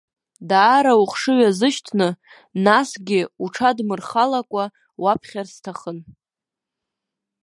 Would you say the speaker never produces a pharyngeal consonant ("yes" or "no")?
yes